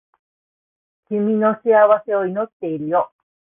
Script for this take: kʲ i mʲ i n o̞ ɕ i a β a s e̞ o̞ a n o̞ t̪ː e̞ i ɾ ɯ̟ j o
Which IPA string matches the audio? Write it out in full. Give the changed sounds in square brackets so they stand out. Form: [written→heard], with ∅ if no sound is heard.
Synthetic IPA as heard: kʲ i mʲ i n o̞ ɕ i a β a s e̞ o̞ [a→i] n o̞ t̪ː e̞ i ɾ ɯ̟ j o